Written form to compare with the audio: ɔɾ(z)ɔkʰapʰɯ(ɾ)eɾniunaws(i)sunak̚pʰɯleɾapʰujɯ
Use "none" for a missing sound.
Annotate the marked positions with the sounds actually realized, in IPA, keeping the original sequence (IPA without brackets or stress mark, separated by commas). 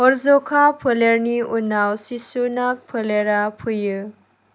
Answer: z, l, i